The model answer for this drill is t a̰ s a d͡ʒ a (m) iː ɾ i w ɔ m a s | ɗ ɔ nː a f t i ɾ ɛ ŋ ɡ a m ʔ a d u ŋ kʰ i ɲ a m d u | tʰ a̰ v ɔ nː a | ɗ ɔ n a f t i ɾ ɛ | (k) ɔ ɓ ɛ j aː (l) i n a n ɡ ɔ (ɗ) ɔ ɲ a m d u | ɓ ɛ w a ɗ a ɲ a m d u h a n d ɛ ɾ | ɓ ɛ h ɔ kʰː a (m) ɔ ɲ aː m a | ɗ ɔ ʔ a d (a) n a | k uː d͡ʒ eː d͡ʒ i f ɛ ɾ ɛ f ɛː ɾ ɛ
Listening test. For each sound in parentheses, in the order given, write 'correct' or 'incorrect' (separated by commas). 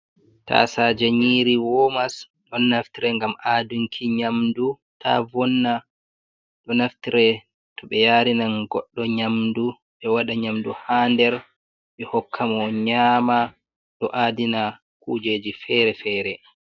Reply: incorrect, incorrect, incorrect, incorrect, correct, incorrect